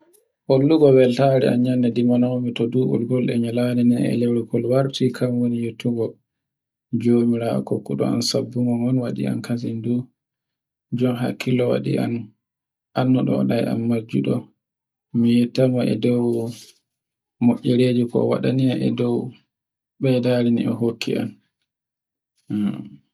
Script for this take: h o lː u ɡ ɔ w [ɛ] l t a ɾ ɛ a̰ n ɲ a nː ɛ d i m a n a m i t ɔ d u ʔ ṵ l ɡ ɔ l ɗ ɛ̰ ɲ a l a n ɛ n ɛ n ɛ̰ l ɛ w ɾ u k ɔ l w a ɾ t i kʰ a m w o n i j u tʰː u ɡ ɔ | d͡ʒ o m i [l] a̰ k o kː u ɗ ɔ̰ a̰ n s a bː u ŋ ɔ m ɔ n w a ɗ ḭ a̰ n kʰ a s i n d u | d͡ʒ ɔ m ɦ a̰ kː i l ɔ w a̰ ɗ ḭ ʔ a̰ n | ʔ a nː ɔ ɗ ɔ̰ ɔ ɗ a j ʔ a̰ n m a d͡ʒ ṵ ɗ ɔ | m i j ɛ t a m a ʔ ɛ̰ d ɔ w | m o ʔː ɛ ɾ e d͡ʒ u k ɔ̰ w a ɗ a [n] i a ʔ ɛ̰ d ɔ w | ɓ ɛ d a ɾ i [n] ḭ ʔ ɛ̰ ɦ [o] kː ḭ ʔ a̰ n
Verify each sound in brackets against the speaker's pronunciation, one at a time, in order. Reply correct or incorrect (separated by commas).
correct, incorrect, correct, correct, correct